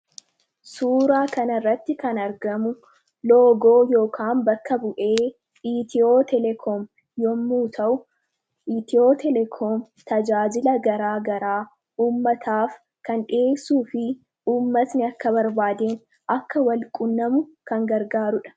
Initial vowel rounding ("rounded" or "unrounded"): rounded